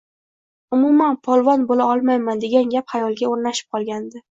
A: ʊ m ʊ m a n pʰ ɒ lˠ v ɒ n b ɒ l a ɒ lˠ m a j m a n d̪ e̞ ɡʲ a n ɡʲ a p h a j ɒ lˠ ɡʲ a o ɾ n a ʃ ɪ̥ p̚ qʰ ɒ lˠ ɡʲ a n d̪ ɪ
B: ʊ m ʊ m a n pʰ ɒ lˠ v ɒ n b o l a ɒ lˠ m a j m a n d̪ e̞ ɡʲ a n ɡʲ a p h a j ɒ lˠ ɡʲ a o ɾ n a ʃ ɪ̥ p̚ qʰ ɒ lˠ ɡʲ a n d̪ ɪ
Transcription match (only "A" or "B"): B